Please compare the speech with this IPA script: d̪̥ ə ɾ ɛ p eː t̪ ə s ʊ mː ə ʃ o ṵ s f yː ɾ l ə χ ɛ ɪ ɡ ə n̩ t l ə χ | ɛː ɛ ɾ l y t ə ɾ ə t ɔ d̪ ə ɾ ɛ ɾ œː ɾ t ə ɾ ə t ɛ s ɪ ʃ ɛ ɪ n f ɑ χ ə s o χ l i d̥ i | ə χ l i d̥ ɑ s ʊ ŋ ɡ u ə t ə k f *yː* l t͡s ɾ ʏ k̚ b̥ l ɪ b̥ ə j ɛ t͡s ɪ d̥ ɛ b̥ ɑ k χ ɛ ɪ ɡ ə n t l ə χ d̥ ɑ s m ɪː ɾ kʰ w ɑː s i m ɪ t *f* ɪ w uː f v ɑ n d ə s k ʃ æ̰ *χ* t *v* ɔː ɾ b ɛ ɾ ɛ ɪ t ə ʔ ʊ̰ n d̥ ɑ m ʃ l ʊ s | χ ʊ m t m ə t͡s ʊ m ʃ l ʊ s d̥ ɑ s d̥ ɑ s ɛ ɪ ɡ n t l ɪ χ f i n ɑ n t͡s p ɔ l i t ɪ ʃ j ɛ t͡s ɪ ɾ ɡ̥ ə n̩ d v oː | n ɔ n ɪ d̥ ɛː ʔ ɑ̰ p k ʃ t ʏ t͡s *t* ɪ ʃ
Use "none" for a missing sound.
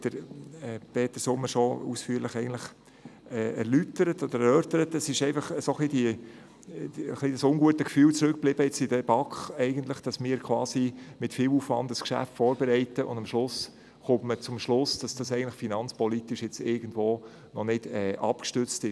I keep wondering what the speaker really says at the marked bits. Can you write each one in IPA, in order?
yː, f, f, f, t

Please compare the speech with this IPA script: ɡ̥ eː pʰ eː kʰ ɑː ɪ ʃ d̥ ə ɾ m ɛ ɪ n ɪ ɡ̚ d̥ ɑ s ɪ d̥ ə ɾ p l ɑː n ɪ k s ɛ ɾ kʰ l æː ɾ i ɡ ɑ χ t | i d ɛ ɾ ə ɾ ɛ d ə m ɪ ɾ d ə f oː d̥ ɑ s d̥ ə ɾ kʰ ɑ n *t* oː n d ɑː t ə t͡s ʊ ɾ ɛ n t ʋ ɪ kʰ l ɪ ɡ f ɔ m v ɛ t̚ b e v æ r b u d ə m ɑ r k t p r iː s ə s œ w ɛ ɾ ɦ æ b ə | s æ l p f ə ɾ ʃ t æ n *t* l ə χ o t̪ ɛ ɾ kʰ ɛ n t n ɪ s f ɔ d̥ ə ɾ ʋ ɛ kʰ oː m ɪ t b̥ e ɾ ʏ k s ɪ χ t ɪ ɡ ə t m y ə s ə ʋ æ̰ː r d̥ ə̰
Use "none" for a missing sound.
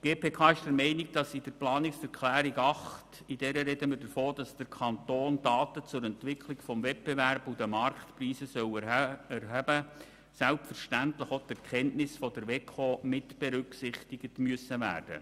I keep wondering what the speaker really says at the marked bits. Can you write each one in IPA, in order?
t, t

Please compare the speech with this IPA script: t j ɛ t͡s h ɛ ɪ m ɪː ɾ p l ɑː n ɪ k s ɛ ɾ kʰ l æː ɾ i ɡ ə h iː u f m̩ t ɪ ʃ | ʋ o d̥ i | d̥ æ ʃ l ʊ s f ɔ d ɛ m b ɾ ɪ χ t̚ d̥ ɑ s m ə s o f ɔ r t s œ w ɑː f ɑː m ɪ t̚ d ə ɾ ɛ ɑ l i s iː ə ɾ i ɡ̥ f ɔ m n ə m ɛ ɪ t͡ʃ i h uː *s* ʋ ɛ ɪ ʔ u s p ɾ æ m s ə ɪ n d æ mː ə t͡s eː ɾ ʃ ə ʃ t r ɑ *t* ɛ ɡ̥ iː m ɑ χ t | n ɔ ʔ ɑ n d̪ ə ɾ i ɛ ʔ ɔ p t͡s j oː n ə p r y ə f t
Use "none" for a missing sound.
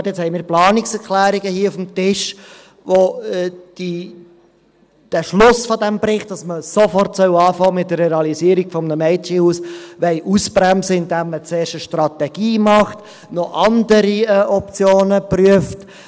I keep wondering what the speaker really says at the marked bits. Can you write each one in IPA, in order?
s, t

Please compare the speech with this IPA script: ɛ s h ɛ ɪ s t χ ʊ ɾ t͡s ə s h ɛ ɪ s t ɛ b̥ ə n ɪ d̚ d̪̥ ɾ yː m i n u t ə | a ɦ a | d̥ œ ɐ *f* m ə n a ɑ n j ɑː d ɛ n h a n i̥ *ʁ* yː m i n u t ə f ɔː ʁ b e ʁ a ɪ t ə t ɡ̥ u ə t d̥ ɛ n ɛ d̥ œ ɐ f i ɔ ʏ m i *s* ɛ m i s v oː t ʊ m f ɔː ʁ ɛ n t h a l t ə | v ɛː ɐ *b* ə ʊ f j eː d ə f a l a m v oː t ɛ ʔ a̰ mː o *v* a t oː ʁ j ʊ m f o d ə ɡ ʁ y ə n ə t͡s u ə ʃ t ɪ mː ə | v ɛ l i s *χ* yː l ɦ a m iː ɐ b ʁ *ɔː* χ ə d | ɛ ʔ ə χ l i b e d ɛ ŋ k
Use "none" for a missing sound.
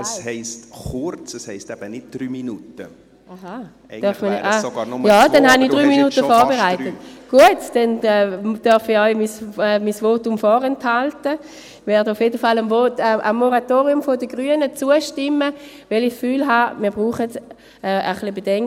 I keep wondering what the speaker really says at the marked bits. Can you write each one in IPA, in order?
f, ʁ, s, d, ʁ, f, uː

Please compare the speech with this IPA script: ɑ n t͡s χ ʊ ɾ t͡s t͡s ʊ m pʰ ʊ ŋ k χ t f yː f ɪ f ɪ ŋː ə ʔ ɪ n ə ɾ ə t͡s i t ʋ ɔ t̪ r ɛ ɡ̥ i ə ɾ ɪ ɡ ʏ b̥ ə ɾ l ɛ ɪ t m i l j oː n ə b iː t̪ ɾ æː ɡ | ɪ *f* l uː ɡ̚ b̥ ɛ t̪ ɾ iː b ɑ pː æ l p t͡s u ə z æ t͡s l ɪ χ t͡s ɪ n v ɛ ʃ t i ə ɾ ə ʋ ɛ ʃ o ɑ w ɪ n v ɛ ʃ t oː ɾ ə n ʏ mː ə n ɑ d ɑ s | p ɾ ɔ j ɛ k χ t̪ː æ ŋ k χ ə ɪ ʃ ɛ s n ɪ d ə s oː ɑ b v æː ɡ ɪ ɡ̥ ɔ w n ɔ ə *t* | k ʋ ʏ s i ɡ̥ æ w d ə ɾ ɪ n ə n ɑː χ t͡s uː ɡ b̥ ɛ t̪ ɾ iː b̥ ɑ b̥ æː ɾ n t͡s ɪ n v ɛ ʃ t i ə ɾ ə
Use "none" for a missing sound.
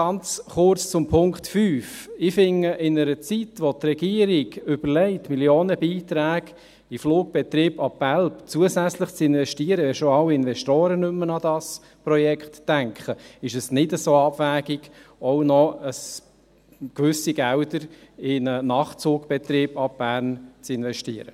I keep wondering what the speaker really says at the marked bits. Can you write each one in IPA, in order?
f, s

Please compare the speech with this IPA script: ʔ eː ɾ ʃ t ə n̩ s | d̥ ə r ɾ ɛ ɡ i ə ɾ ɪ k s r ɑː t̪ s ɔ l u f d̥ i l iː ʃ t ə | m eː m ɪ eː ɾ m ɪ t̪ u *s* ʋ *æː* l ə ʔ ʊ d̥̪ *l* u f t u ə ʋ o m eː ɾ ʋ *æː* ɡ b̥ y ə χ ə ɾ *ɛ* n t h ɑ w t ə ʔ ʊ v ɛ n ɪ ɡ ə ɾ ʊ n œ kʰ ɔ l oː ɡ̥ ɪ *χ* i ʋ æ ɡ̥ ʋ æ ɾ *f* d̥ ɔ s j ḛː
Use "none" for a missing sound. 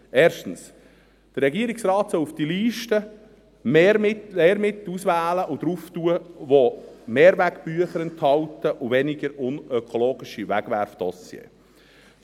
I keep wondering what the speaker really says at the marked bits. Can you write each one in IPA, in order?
s, æː, ɾ, æ, ɛ, ʃ, f

